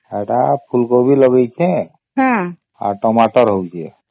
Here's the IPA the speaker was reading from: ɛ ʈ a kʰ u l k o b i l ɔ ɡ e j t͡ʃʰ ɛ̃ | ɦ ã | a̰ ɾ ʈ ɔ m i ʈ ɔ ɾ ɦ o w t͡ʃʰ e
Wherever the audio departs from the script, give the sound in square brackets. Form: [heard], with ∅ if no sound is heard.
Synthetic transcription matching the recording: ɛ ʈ a [pʰ] u l k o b i l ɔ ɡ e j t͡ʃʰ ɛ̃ | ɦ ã | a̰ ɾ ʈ ɔ m [a] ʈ ɔ ɾ ɦ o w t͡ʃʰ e